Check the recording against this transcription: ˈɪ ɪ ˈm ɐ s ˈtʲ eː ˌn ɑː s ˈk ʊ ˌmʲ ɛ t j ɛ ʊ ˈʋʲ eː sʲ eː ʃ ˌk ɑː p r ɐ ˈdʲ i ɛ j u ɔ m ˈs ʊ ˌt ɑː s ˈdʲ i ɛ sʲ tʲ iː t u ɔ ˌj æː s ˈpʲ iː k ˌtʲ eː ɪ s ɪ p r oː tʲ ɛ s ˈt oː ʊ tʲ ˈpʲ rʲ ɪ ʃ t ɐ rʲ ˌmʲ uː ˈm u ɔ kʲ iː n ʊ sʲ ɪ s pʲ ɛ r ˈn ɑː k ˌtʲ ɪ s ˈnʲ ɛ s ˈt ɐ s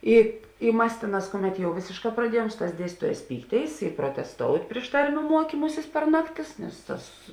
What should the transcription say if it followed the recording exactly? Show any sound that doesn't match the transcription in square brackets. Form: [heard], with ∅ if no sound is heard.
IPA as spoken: ˈɪ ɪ ˈm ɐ s ˈtʲ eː ˌn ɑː s ˈk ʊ ˌmʲ ɛ t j ɛ ʊ ˈʋʲ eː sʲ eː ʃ ˌk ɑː p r ɐ ˈdʲ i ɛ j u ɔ m ˈs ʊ ˌt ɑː s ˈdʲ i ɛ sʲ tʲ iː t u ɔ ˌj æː s ˈpʲ iː k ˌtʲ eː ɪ s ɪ p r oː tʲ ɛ s ˈt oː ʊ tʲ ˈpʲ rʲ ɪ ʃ t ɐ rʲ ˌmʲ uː ˈm u ɔ kʲ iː [m] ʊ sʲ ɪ s pʲ ɛ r ˈn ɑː k ˌtʲ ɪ s ˈnʲ ɛ s ˈt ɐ s